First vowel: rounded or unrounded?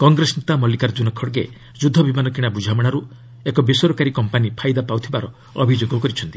rounded